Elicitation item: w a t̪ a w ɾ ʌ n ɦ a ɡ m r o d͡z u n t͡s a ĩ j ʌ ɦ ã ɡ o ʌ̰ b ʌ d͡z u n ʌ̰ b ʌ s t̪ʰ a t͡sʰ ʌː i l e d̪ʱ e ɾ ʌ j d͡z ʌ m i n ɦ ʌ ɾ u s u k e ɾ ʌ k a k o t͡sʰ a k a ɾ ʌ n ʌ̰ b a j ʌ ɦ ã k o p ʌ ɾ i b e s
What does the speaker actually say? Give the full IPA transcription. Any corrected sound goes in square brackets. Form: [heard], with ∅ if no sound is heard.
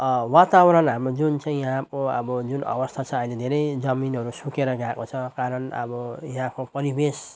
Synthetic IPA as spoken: w a t̪ a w ɾ ʌ n ɦ a [∅] m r o d͡z u n t͡s a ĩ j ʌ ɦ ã [k] o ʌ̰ b ʌ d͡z u n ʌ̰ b ʌ s t̪ʰ a t͡sʰ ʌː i l e d̪ʱ e ɾ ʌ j d͡z ʌ m i n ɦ ʌ ɾ u s u k e ɾ ʌ [ɡ] a k o t͡sʰ [ʌ] k a ɾ ʌ n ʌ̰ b [ʌ] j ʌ ɦ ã k o p ʌ ɾ i b e s